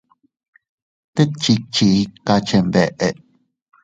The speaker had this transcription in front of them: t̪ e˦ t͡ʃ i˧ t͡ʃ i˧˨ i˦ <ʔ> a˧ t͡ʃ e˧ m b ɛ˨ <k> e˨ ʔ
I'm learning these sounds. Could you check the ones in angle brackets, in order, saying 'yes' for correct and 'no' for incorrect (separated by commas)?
no, no